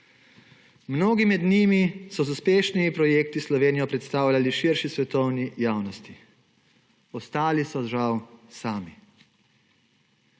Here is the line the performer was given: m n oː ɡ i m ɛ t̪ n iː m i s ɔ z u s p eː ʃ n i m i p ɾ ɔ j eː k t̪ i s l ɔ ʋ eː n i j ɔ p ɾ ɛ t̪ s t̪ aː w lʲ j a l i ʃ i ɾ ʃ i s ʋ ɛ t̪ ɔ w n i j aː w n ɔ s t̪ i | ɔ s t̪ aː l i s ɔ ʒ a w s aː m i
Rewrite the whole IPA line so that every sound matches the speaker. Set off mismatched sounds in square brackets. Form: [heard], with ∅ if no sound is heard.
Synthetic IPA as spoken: m n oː ɡ i m ɛ [d̪] n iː m i s ɔ z u s p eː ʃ n i m i p ɾ ɔ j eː k t̪ i s l ɔ ʋ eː n i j ɔ p ɾ ɛ t̪ s t̪ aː w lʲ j a l i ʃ i ɾ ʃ i s ʋ ɛ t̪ ɔ w n i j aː w n ɔ s t̪ i | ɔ s t̪ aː l i s ɔ ʒ a w s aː m i